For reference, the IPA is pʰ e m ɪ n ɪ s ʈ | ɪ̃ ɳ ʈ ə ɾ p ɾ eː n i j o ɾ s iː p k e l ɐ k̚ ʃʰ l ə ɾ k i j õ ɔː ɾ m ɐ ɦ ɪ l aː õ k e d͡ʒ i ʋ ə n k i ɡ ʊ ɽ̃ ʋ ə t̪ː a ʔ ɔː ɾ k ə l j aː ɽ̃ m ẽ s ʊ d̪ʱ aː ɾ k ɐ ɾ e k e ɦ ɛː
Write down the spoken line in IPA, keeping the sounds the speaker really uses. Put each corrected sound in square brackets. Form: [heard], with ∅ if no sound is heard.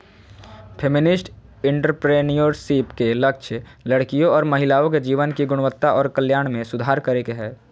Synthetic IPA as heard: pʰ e m ɪ n ɪ s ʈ | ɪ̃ ɳ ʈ ə ɾ p ɾ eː n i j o ɾ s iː p k e l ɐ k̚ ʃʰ l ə [ɽ] k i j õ ɔː ɾ m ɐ ɦ ɪ l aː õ k e d͡ʒ [iː] ʋ ə n k i ɡ ʊ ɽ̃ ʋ ə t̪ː a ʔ ɔː ɾ k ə l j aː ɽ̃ m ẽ s ʊ d̪ʱ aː ɾ k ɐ ɾ e k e ɦ ɛː